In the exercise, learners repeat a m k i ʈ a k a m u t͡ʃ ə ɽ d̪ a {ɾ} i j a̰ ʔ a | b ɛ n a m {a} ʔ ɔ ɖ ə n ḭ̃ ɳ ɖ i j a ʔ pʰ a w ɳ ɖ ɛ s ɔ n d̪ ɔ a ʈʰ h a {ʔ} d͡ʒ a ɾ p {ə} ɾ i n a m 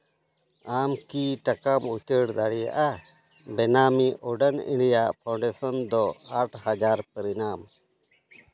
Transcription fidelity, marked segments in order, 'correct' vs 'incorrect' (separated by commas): incorrect, incorrect, incorrect, correct